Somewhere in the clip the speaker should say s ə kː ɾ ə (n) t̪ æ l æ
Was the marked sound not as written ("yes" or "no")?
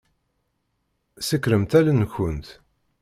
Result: yes